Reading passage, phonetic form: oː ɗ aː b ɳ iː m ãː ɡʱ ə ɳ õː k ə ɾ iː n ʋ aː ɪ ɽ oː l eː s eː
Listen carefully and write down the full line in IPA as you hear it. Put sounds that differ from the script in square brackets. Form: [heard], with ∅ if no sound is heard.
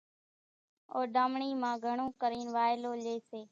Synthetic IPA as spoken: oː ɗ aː [m] ɳ iː m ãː ɡʱ ə ɳ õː k ə ɾ iː n ʋ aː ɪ [l] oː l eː s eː